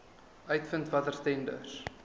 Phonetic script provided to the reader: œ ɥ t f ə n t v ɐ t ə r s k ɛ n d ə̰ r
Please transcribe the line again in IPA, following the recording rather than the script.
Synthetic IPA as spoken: œ ɥ t f ə n t v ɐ t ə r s t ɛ n d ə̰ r